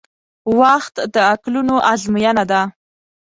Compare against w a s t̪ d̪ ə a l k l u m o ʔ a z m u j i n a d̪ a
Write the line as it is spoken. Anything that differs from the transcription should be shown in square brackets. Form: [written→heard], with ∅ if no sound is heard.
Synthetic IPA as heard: w a [s→x] t̪ d̪ ə a [l→∅] k l u [m→n] o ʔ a z m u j [i→a] n a d̪ a